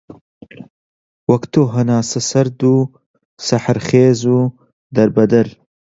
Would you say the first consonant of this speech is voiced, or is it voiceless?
voiced